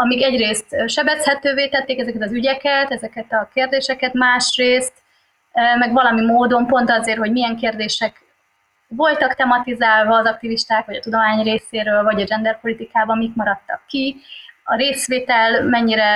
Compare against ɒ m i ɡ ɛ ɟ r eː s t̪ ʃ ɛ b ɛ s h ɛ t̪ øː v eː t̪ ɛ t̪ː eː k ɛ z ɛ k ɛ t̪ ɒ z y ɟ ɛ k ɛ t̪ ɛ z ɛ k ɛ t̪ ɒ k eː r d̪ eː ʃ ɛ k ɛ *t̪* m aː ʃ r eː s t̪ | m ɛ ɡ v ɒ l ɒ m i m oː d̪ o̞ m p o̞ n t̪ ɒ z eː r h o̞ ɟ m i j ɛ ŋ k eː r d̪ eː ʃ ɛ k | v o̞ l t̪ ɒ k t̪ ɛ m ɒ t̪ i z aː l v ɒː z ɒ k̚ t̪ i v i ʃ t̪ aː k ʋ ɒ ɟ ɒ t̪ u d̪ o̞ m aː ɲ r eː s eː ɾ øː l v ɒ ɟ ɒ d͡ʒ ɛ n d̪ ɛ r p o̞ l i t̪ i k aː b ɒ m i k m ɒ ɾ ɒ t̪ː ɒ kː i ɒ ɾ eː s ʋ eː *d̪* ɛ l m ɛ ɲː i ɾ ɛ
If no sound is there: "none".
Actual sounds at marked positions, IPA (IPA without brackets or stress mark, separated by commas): t̪, t̪